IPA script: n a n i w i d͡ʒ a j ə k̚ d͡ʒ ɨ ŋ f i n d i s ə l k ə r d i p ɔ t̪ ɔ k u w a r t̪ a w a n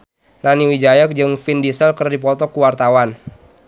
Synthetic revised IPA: n a n i w i d͡ʒ a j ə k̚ d͡ʒ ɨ ŋ f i n d i s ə l k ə r d i p ɔ t̪ ɔ k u w a r t̪ a w a n